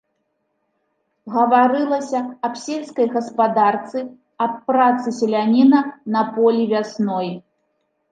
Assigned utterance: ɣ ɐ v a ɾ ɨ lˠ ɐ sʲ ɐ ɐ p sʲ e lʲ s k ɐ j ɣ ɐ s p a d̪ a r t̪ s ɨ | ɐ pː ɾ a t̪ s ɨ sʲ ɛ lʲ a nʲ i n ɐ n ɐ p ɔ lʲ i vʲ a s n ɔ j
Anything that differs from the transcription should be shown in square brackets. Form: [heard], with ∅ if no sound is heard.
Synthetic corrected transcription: ɣ ɐ v a ɾ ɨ lˠ ɐ sʲ ɐ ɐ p sʲ e lʲ s k ɐ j ɣ ɐ s p a d̪ a r t̪ s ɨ | ɐ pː ɾ a t̪ s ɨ sʲ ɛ lʲ a nʲ i n ɐ n ɐ p ɔ lʲ i vʲ a s n ɔ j

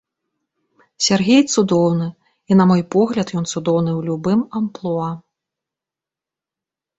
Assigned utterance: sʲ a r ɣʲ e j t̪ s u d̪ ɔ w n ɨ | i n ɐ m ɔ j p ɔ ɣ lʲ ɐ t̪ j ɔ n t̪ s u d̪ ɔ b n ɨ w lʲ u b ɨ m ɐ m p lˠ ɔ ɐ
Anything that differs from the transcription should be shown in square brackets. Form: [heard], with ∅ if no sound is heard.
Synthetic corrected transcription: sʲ a r ɣʲ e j t̪ s u d̪ ɔ w n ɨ | i n ɐ m ɔ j p ɔ ɣ lʲ ɐ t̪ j ɔ n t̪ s u d̪ ɔ [w] n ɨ w lʲ u b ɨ m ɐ m p lˠ ɔ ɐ

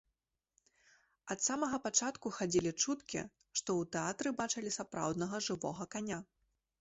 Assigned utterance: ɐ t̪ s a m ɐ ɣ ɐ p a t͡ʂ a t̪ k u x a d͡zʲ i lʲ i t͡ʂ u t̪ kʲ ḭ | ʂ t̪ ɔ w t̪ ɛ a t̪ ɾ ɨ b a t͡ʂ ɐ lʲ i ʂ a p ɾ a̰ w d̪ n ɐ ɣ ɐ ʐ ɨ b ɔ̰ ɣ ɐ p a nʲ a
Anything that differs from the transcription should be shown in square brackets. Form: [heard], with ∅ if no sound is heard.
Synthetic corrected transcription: ɐ t̪ s a m ɐ ɣ ɐ p a t͡ʂ a t̪ k u x a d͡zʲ i lʲ i t͡ʂ u t̪ kʲ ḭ | ʂ t̪ ɔ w t̪ ɛ a t̪ ɾ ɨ b a t͡ʂ ɐ lʲ i [s] a p ɾ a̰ w d̪ n ɐ ɣ ɐ ʐ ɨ [v] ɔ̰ ɣ ɐ [k] a nʲ a

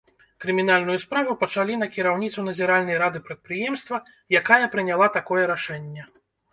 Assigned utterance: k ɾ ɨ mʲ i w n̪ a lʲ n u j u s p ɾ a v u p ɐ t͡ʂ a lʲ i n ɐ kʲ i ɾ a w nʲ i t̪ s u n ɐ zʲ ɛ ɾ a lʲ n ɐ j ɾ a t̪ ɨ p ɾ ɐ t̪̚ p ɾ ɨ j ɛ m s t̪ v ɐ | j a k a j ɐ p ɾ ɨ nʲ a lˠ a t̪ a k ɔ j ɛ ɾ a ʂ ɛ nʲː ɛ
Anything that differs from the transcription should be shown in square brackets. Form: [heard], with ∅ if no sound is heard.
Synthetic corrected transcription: k ɾ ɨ mʲ i [∅] n̪ a lʲ n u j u s p ɾ a v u p ɐ t͡ʂ a lʲ i n ɐ kʲ i ɾ a w nʲ i t̪ s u n ɐ zʲ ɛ ɾ a lʲ n ɐ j ɾ a [d̪] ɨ p ɾ ɐ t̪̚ p ɾ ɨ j ɛ m s t̪ v ɐ | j a k a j ɐ p ɾ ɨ nʲ a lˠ a t̪ a k ɔ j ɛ ɾ a ʂ ɛ nʲː ɛ

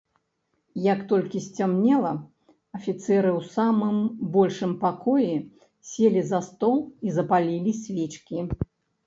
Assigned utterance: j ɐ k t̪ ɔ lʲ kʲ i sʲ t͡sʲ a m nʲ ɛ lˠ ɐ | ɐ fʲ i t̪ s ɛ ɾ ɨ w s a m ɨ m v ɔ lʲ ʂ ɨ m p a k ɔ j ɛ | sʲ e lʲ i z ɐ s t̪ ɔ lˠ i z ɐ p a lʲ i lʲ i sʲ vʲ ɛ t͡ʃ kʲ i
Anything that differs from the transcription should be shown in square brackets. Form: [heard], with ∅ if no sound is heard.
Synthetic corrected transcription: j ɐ k t̪ ɔ lʲ kʲ i sʲ t͡sʲ a m nʲ ɛ lˠ ɐ | ɐ fʲ i t̪ s ɛ ɾ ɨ w s a m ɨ m [b] ɔ lʲ ʂ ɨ m p a k ɔ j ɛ | sʲ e lʲ i z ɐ s t̪ ɔ lˠ i z ɐ p a lʲ i lʲ i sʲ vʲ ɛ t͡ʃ kʲ i

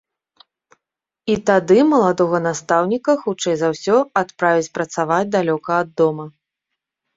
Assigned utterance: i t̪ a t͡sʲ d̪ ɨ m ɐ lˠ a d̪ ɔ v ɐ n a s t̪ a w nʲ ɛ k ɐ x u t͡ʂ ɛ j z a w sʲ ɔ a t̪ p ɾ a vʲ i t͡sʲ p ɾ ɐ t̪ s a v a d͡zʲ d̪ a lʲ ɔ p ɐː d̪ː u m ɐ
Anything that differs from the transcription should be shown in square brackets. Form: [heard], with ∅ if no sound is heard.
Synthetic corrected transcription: i t̪ a [∅] d̪ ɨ m ɐ lˠ a d̪ ɔ [ɣ] ɐ n a s t̪ a w nʲ [i] k ɐ x u t͡ʂ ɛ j z a w sʲ ɔ a t̪ p ɾ a vʲ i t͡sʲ p ɾ ɐ t̪ s a v a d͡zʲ d̪ a lʲ ɔ [k] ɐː d̪ː [ɔ] m ɐ

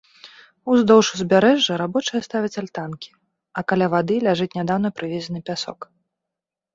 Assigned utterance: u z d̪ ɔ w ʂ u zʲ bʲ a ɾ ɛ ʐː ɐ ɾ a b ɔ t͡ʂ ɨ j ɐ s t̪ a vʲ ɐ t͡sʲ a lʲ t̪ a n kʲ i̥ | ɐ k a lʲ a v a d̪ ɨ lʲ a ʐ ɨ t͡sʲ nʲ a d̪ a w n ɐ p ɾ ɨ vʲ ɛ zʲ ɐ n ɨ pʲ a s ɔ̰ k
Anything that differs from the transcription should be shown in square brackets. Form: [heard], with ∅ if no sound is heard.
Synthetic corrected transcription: u z d̪ ɔ w ʂ u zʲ bʲ a ɾ ɛ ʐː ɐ ɾ a b ɔ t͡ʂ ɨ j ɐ s t̪ a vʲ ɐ t͡sʲ a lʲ t̪ a n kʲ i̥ | ɐ k a lʲ a v a d̪ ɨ lʲ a ʐ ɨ t͡sʲ nʲ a d̪ a w n ɐ p ɾ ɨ vʲ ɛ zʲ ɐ n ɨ pʲ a s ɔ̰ k

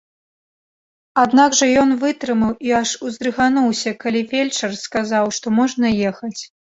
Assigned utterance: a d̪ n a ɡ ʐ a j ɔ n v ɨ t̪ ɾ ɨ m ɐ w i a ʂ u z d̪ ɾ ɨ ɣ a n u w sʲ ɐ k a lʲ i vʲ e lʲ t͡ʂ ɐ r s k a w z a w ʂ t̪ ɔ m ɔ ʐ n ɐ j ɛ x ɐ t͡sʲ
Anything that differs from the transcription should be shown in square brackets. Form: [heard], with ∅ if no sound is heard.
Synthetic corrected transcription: a d̪ n a ɡ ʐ [ɐ] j ɔ n v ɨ t̪ ɾ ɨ m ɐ w i a ʂ u z d̪ ɾ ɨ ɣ a n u w sʲ ɐ k a lʲ i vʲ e lʲ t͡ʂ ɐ r s k a [∅] z a w ʂ t̪ ɔ m ɔ ʐ n ɐ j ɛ x ɐ t͡sʲ

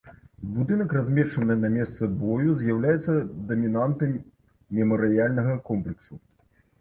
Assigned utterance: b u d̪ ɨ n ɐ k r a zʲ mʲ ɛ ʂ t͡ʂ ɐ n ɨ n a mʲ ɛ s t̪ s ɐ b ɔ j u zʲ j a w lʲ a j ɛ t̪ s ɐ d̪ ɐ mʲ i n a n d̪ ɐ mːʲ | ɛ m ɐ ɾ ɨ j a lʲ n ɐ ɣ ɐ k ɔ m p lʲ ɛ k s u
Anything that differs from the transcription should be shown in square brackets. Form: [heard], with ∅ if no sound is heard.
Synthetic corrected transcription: b u d̪ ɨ n ɐ k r a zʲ mʲ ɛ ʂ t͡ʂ ɐ n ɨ n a mʲ ɛ s t̪ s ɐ b ɔ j u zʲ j a w lʲ a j ɛ t̪ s ɐ d̪ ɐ mʲ i n a n [t̪] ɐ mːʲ | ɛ m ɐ ɾ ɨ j a lʲ n ɐ ɣ ɐ k ɔ m p lʲ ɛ k s u

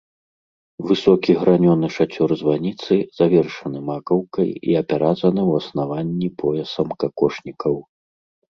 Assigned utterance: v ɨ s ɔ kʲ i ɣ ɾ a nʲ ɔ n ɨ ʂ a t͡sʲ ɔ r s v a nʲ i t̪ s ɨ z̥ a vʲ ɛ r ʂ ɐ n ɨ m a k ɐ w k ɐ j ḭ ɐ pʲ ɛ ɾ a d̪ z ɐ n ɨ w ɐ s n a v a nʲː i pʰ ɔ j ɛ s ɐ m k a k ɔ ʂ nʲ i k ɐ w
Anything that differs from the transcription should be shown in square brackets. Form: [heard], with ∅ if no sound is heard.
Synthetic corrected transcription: v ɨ s ɔ kʲ i ɣ ɾ a nʲ ɔ n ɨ ʂ a t͡sʲ ɔ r [z] v a nʲ i t̪ s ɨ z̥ a vʲ ɛ r ʂ ɐ n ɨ m a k ɐ w k ɐ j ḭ ɐ pʲ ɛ ɾ a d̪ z ɐ n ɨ w ɐ s n a v a nʲː i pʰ ɔ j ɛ s ɐ m k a k ɔ ʂ nʲ i k ɐ w

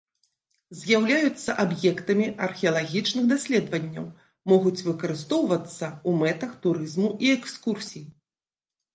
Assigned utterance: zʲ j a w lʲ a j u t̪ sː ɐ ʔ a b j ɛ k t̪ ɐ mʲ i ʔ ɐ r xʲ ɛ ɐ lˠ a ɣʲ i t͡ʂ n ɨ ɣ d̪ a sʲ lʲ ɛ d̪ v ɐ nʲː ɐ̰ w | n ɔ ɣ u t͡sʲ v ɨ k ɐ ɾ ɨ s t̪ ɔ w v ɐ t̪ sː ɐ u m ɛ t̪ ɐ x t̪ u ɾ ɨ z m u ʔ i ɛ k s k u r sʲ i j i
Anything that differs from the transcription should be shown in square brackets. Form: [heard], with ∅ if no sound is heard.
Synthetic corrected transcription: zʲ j a w lʲ a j u t̪ sː ɐ ʔ a b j ɛ k t̪ ɐ mʲ i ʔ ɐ r xʲ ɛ ɐ lˠ a ɣʲ i t͡ʂ n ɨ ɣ d̪ a sʲ lʲ ɛ d̪ v ɐ nʲː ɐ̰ w | [m] ɔ ɣ u t͡sʲ v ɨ k ɐ ɾ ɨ s t̪ ɔ w v ɐ t̪ sː ɐ u m ɛ t̪ ɐ x t̪ u ɾ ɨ z m u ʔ i ɛ k s k u r sʲ i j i

